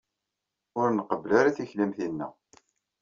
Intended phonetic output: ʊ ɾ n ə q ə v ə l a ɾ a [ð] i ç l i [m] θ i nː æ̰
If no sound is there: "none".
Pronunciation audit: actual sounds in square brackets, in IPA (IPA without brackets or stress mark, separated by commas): θ, m